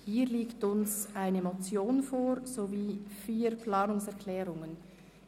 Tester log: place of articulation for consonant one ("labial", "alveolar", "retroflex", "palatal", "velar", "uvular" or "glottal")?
glottal